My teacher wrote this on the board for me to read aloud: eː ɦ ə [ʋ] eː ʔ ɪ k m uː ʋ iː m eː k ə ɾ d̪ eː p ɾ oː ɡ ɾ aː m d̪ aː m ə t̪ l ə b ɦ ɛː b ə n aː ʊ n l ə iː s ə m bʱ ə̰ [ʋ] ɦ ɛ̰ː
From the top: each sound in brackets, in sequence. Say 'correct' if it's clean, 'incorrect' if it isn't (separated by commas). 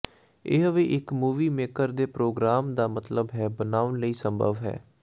correct, correct